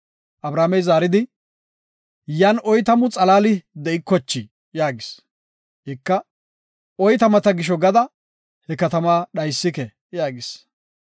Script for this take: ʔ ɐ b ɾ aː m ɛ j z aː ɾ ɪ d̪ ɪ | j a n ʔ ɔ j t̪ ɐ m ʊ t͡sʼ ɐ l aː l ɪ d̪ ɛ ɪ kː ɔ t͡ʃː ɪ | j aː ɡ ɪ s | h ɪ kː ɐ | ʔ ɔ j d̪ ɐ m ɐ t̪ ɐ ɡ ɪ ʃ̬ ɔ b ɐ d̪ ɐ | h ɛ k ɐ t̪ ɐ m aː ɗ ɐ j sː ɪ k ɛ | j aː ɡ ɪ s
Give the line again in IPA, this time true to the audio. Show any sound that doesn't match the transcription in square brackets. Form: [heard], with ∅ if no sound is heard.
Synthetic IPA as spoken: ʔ ɐ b ɾ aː m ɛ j z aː ɾ ɪ d̪ ɪ | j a n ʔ ɔ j t̪ ɐ m ʊ t͡sʼ ɐ l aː l ɪ d̪ ɛ ɪ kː ɔ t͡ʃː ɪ | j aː ɡ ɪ s | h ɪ kː ɐ | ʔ ɔ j [t̪] ɐ m ɐ t̪ ɐ ɡ ɪ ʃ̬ ɔ [ɡ] ɐ d̪ ɐ | h ɛ k ɐ t̪ ɐ m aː ɗ ɐ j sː ɪ k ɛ | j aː ɡ ɪ s